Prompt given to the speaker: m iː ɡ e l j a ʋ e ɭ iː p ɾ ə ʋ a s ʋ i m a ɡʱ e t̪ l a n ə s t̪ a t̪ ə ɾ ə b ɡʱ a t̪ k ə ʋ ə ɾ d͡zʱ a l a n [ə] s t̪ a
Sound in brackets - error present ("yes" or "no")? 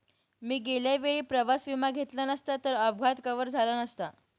no